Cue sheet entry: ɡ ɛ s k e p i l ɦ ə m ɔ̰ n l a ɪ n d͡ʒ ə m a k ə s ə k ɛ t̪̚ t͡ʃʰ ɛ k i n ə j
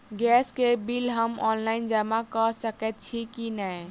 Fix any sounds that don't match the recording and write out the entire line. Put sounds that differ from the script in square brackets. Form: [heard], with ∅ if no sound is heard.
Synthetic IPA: ɡ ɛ s k e [b] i l ɦ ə m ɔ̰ n l a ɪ n d͡ʒ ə m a k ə s ə k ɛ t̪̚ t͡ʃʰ [i] k i n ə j